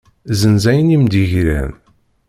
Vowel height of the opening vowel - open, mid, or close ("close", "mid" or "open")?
mid